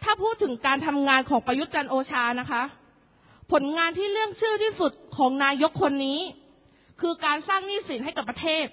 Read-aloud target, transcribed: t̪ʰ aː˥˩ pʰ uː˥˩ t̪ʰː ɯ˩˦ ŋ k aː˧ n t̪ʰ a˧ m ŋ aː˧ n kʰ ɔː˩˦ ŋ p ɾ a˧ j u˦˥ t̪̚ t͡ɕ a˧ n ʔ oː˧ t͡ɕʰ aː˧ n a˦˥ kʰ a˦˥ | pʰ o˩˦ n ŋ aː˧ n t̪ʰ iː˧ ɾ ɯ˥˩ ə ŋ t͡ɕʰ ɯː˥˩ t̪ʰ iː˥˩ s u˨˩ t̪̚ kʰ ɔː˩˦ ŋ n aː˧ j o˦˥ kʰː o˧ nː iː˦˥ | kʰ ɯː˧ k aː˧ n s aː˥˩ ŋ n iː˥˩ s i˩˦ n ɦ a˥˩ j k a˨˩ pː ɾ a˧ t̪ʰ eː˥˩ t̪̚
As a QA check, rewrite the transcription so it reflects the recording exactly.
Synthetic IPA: t̪ʰ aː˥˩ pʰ uː˥˩ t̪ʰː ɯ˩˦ ŋ k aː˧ n t̪ʰ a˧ m ŋ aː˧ n kʰ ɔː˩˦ ŋ p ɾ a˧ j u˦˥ t̪̚ t͡ɕ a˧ n ʔ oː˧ t͡ɕʰ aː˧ n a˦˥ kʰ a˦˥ | pʰ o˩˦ n ŋ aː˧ n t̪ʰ iː˥˩ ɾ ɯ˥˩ ə ŋ t͡ɕʰ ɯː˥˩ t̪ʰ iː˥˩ s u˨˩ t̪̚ kʰ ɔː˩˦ ŋ n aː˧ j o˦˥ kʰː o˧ nː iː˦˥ | kʰ ɯː˧ k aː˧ n s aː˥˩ ŋ n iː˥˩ s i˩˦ n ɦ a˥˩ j k a˨˩ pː ɾ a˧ t̪ʰ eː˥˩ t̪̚